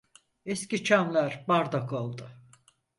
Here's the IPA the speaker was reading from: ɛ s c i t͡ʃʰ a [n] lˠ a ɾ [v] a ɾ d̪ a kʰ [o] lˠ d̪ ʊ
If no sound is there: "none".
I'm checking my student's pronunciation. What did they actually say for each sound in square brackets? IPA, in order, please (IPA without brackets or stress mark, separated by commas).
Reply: m, b, o